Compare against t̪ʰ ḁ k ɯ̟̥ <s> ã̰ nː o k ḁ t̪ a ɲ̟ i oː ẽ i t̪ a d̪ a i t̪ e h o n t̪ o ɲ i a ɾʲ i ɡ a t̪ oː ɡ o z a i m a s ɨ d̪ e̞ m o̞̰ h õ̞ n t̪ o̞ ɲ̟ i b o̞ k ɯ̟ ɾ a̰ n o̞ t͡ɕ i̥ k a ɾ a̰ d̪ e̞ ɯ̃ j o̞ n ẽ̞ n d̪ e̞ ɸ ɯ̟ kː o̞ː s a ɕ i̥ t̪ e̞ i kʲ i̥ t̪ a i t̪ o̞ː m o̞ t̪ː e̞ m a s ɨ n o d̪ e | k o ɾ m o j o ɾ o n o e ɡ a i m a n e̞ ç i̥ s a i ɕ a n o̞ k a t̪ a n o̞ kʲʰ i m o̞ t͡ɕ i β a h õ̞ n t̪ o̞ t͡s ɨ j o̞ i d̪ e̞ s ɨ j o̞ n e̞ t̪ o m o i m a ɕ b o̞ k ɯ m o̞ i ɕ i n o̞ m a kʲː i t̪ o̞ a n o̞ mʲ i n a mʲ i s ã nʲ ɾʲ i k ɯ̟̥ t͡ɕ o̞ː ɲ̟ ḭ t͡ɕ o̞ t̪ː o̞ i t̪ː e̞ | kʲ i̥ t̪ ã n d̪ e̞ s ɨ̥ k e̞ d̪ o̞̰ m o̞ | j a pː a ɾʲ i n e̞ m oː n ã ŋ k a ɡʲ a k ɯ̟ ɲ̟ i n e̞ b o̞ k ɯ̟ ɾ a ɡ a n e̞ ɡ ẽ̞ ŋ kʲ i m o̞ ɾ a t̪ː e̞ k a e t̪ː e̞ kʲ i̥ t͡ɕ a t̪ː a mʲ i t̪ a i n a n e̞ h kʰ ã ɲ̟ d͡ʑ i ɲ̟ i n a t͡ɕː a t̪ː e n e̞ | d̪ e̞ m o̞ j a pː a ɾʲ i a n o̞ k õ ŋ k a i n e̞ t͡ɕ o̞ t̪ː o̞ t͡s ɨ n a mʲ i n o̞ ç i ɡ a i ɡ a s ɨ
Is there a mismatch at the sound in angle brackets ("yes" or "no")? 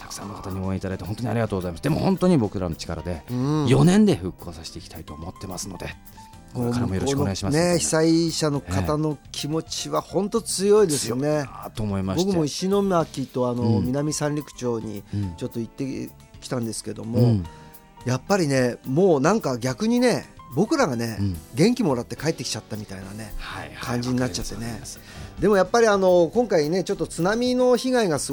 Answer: no